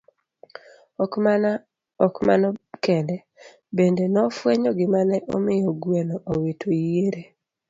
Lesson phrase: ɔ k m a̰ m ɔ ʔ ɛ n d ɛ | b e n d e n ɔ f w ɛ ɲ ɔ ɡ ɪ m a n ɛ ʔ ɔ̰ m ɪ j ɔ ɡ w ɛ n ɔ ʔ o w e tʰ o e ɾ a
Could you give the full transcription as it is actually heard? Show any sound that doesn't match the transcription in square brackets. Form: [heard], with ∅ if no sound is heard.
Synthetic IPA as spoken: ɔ k m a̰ [n] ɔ [k] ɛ n d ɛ | b e n d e n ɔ f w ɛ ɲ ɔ ɡ ɪ m a n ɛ ʔ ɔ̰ m ɪ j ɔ ɡ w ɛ n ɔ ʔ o w e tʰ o e ɾ [e]